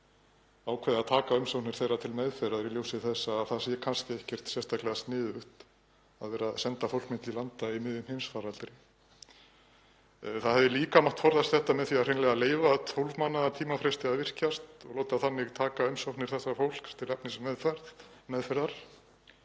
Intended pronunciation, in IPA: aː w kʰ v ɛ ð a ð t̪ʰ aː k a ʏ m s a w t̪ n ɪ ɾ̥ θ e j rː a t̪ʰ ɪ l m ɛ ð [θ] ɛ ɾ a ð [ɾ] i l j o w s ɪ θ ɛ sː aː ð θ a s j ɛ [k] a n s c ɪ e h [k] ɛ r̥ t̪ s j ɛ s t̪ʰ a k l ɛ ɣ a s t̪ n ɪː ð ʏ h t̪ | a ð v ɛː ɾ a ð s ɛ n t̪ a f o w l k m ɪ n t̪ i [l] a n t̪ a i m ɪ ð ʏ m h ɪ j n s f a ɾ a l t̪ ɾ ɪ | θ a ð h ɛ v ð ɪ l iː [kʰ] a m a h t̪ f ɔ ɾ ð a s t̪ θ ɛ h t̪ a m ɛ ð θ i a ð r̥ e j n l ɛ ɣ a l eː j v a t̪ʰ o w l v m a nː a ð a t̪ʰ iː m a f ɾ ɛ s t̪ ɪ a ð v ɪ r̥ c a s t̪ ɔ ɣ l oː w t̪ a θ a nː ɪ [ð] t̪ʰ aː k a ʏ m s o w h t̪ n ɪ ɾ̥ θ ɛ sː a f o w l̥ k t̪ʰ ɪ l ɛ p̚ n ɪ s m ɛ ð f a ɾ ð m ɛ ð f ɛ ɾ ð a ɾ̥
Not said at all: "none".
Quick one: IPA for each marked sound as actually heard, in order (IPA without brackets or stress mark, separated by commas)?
f, ɾ, kʰ, c, l, k, ɣ